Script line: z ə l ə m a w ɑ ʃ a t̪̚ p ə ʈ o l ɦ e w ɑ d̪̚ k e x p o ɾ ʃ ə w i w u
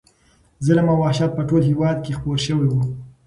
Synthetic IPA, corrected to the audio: z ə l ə m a w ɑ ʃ a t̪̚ p ə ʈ o l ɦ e w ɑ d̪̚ k e x p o ɾ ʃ ə w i w u